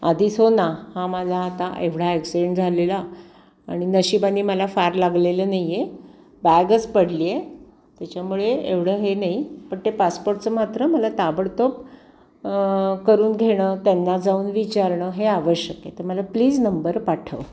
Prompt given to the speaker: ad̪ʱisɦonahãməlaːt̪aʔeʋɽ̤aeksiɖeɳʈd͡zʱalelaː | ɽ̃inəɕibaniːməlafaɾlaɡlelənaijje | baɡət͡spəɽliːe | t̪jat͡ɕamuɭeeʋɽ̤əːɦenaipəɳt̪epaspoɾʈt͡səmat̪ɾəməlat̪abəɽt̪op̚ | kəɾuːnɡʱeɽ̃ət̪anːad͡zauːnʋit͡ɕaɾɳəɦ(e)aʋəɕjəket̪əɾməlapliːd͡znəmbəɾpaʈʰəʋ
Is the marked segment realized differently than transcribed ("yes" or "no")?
no